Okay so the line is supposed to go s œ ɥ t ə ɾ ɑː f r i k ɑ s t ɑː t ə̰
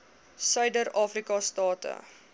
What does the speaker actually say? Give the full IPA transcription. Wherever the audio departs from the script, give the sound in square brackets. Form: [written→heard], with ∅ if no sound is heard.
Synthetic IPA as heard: s œ ɥ [t→d] ə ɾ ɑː f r i k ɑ s t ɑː t ə̰